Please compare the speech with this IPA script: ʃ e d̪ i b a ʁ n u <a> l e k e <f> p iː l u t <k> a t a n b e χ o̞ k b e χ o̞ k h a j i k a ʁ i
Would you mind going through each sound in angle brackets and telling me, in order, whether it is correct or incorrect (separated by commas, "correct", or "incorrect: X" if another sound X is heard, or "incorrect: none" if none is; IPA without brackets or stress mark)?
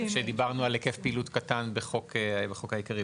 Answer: correct, correct, correct